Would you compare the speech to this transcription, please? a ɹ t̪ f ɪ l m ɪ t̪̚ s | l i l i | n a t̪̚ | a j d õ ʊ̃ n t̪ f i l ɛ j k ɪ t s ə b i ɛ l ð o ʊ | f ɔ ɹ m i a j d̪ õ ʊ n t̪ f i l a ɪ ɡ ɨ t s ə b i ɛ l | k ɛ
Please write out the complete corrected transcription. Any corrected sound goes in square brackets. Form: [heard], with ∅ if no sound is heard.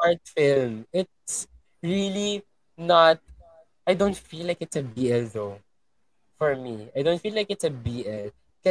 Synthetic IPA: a ɹ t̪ f ɪ l m ɪ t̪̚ s | [ɹ] i l i | n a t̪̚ | a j d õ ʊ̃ n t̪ f i l [a] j k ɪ t s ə b i ɛ l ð o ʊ | f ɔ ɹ m i a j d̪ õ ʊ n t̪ f i l a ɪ [k] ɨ t s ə b i ɛ l | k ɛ